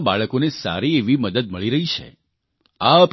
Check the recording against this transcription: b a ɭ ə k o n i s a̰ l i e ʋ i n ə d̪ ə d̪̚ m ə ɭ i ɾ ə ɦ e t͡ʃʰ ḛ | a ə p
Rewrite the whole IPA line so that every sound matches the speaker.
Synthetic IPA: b a ɭ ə k o n e s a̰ ɾ i e ʋ i m ə d̪ ə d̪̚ m ə ɭ i ɾ ə ɦ i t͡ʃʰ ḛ | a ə p